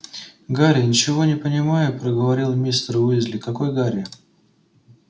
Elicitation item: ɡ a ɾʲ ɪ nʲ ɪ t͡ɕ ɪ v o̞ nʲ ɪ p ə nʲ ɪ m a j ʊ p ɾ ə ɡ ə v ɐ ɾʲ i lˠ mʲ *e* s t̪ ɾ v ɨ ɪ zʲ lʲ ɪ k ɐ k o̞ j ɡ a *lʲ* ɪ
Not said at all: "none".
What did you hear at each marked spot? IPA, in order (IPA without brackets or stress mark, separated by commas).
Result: i, ɾʲ